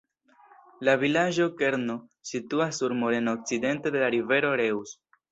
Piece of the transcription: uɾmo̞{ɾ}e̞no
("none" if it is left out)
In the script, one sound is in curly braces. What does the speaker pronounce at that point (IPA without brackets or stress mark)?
ɾ